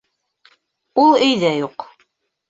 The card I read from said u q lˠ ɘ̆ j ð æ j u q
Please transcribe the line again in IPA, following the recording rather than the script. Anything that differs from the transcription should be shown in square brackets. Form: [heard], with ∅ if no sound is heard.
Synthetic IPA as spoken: u [∅] lˠ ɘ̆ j ð æ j u q

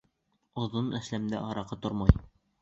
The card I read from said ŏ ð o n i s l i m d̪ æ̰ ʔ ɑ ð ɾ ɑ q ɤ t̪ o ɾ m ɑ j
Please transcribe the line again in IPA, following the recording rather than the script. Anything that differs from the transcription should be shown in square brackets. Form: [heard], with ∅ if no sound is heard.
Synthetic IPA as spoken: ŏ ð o n [æ] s l [æ] m d̪ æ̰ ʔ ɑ [∅] ɾ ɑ q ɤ t̪ o ɾ m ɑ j

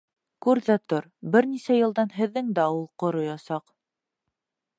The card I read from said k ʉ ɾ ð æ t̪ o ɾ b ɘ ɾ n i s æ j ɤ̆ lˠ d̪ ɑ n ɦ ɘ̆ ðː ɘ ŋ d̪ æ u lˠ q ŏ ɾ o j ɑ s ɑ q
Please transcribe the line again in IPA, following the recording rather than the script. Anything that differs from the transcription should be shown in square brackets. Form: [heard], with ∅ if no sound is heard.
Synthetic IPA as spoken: k ʉ ɾ ð æ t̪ o ɾ b ɘ ɾ n i s æ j ɤ̆ lˠ d̪ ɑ n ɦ ɘ̆ ðː ɘ ŋ d̪ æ u lˠ q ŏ ɾ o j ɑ s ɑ q

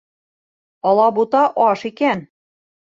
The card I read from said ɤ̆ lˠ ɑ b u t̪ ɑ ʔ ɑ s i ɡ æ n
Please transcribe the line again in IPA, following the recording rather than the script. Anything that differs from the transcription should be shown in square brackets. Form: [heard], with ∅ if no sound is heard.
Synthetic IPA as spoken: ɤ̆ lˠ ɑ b u t̪ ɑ ʔ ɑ [ʃ] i [k] æ n

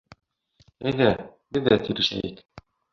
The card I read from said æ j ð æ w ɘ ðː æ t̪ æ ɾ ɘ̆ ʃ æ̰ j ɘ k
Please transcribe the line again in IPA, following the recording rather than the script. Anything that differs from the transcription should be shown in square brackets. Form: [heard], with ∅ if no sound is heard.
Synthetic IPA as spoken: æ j ð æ [b] ɘ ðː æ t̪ [i] ɾ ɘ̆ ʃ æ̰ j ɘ k

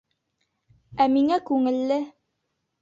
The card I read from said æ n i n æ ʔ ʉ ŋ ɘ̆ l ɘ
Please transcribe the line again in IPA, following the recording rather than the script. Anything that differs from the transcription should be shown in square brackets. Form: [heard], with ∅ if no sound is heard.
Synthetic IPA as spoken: æ [m] i [ŋ] æ [k] ʉ ŋ ɘ̆ [lː] ɘ

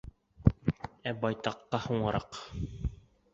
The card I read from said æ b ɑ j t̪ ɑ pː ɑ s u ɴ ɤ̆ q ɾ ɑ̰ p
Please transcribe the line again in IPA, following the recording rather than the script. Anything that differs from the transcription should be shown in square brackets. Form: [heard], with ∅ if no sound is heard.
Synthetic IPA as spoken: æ b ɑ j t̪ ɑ [qː] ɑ [h] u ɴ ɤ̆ [∅] ɾ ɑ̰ [q]

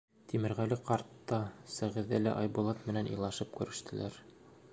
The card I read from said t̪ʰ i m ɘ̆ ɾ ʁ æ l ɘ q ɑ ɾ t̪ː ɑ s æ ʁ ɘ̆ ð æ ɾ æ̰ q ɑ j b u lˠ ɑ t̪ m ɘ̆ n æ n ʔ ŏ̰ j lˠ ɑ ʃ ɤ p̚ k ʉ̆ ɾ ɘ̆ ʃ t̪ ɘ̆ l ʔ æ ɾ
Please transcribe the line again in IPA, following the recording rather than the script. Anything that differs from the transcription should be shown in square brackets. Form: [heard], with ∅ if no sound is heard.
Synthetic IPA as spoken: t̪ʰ i m ɘ̆ ɾ ʁ æ l ɘ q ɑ ɾ t̪ː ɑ s æ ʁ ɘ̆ ð æ [l] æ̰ [ʔ] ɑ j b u lˠ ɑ t̪ m ɘ̆ n æ n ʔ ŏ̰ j lˠ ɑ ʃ ɤ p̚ k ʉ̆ ɾ ɘ̆ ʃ t̪ ɘ̆ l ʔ æ ɾ

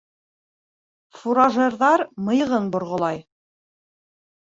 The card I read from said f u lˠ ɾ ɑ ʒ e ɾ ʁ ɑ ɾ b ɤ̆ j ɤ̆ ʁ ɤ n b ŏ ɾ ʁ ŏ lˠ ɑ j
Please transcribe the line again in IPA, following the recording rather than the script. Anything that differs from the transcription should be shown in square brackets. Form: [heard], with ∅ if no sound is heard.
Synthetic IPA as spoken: f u [∅] ɾ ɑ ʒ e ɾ [ð] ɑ ɾ [m] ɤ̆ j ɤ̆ ʁ ɤ n b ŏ ɾ ʁ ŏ lˠ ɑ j

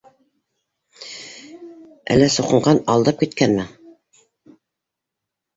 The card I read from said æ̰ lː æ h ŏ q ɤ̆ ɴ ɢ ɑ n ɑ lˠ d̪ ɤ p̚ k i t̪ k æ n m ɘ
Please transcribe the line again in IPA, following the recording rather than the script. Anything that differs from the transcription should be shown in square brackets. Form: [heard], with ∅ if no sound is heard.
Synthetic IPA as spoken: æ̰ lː æ [s] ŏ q ɤ̆ ɴ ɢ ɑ n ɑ lˠ d̪ ɤ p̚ k i t̪ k æ n m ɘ

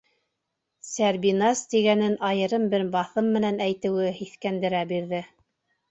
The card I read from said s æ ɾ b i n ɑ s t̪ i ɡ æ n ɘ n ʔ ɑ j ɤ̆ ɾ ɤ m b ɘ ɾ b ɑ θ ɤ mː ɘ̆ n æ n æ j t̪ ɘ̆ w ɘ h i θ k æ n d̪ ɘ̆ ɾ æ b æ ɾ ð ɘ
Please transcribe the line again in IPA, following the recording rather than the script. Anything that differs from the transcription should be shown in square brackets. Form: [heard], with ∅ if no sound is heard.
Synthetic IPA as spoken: s æ ɾ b i n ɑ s t̪ i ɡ æ n ɘ n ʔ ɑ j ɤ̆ ɾ ɤ m b ɘ ɾ b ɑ θ ɤ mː ɘ̆ n æ n æ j t̪ ɘ̆ w ɘ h i θ k æ n d̪ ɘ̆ ɾ æ b [i] ɾ ð ɘ

